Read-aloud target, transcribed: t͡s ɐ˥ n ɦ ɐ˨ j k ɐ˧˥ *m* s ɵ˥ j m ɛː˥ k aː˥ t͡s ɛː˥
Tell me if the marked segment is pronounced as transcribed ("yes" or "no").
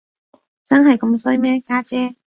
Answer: yes